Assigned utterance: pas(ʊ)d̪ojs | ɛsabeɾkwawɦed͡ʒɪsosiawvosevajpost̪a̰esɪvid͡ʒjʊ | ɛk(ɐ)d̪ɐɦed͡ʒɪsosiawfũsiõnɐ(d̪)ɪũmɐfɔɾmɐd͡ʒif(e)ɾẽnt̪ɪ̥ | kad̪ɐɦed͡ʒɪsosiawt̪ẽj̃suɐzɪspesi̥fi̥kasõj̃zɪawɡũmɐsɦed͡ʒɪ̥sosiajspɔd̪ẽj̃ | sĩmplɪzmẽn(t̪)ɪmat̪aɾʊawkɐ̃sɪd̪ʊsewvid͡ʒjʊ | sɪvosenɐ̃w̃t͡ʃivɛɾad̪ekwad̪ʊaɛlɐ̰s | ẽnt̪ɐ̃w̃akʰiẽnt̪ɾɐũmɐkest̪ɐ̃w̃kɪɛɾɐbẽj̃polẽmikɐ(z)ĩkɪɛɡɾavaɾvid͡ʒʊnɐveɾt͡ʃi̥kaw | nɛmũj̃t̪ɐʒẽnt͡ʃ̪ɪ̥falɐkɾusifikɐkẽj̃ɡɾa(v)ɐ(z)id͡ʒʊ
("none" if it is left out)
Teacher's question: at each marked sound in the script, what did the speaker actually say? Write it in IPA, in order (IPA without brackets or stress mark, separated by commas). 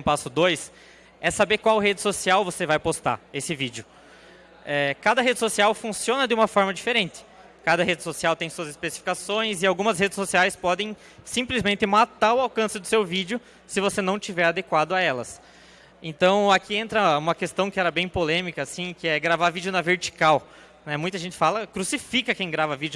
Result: ʊ, a, d̪, e, t̪, s, v, v